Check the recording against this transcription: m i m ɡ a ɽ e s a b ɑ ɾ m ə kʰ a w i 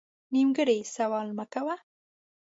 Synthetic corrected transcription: n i m ɡ ə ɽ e s a w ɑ l m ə k a w a